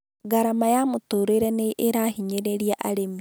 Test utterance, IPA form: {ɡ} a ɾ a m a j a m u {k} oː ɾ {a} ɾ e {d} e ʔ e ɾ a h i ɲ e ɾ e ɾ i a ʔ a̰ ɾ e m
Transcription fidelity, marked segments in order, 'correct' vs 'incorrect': correct, incorrect, incorrect, incorrect

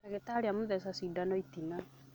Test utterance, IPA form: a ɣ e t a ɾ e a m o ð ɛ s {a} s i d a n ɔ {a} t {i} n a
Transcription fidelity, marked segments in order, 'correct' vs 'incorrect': correct, incorrect, correct

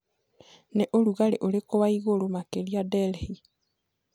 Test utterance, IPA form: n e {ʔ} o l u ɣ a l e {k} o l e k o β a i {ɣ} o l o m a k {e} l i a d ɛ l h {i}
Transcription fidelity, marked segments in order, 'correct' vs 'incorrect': correct, incorrect, correct, correct, correct

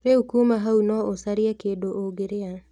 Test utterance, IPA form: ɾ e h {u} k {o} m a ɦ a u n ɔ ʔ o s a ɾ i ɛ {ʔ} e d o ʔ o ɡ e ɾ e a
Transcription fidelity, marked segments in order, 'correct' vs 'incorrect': correct, incorrect, incorrect

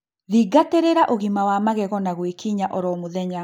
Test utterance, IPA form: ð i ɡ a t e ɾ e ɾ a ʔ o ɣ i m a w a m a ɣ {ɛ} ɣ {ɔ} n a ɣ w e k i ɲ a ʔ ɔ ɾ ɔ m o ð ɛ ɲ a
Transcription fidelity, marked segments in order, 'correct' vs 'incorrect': correct, correct

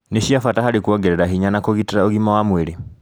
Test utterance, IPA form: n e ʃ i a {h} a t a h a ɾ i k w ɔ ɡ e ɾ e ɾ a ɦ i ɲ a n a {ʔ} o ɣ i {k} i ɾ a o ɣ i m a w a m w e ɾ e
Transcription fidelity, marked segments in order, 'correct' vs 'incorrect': incorrect, incorrect, incorrect

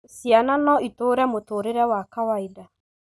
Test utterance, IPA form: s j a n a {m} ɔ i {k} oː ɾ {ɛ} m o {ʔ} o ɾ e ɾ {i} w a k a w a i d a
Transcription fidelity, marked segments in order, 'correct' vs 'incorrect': incorrect, incorrect, correct, incorrect, incorrect

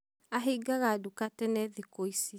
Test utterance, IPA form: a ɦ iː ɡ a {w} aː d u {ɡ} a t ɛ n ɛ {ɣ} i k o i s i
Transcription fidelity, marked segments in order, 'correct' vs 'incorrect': incorrect, incorrect, incorrect

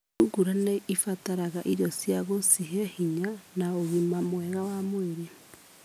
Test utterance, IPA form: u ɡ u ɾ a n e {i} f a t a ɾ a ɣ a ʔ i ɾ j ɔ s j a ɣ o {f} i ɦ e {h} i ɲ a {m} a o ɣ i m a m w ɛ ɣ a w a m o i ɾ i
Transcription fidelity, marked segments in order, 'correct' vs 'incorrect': correct, incorrect, correct, incorrect

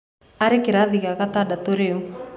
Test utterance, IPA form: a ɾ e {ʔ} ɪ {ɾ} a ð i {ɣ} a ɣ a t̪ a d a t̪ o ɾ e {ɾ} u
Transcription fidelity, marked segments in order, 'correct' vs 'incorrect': incorrect, correct, correct, incorrect

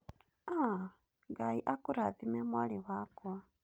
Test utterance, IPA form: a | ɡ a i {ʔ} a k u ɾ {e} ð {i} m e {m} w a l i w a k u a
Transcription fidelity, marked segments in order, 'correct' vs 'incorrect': correct, incorrect, correct, correct

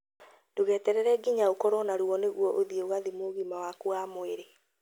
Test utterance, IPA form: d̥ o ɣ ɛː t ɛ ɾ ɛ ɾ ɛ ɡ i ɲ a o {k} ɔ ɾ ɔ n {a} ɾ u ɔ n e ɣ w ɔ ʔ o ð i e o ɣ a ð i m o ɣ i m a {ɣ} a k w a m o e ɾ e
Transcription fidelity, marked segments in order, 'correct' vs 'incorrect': correct, correct, incorrect

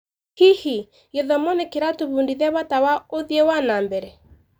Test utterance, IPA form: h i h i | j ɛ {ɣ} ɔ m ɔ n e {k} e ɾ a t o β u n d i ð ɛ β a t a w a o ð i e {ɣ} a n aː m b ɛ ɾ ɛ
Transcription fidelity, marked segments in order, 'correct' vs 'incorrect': incorrect, correct, incorrect

